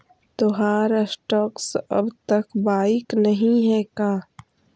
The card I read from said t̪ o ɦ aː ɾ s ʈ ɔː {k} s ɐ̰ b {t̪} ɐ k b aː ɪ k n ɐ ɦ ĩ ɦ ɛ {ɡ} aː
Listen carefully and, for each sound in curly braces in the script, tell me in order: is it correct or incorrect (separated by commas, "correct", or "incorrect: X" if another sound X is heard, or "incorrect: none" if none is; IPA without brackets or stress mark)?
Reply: correct, correct, incorrect: k